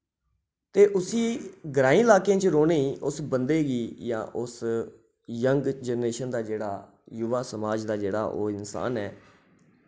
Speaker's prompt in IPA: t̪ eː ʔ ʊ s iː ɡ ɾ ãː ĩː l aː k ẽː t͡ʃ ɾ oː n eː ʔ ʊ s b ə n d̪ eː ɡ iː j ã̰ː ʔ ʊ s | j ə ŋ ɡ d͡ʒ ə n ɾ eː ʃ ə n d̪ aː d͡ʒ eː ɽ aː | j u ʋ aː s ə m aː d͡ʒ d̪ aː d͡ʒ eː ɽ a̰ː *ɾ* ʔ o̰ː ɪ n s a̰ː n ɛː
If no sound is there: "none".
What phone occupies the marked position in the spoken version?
none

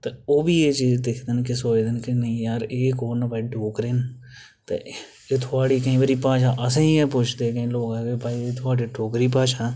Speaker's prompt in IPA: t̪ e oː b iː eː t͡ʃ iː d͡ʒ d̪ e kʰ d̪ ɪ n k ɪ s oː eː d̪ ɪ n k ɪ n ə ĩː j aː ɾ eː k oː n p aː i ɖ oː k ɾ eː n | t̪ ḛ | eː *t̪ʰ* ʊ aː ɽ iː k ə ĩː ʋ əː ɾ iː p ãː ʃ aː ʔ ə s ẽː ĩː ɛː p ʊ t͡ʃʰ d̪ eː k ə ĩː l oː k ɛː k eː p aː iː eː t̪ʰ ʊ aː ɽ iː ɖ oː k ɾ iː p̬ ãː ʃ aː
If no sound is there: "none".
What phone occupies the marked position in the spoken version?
t̪ʰ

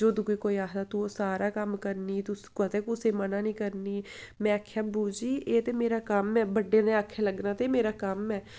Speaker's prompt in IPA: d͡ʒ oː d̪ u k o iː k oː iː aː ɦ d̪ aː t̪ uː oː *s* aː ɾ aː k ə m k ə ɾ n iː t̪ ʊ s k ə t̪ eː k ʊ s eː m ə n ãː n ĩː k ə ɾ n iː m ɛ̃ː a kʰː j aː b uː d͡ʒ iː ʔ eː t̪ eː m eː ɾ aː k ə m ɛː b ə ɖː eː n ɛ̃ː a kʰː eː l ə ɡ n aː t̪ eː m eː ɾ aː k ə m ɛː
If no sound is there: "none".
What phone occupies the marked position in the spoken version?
s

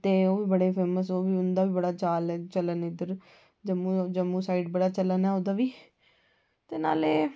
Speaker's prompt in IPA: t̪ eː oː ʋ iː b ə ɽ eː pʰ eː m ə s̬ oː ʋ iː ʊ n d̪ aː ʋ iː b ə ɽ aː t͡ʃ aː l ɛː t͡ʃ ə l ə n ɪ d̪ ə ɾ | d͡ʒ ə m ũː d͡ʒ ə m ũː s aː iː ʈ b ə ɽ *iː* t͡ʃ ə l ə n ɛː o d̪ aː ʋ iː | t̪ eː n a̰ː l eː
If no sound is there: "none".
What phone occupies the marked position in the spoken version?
aː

